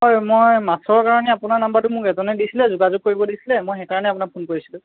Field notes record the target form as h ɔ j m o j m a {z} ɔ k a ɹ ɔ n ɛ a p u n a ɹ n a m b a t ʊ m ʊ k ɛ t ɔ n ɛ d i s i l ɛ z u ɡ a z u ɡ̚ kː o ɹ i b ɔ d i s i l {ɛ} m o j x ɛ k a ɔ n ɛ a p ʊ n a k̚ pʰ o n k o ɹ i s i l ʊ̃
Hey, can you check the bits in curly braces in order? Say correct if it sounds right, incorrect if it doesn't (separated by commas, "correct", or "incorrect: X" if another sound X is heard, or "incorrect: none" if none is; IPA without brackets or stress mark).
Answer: incorrect: s, correct